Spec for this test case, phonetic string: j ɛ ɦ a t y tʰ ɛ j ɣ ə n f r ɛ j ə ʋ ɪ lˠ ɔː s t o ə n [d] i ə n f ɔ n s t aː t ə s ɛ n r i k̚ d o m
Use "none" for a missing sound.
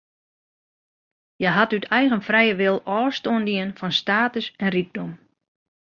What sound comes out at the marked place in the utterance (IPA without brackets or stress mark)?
d